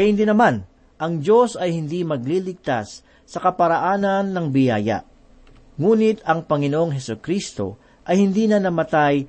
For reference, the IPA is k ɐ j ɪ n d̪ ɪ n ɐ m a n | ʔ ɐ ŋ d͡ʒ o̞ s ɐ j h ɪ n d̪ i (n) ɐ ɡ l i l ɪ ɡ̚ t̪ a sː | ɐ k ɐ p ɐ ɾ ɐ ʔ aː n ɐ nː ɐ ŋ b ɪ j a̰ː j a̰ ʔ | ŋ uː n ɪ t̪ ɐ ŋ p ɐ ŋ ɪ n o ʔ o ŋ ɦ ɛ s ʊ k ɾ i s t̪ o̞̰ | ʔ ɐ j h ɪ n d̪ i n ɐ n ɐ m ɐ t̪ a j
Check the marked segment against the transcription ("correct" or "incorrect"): incorrect